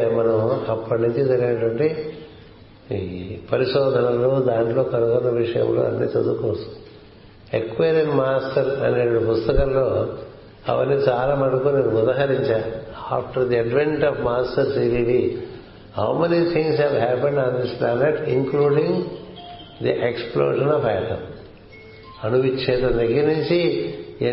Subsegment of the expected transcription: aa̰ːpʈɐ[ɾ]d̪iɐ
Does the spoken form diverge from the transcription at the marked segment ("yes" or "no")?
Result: no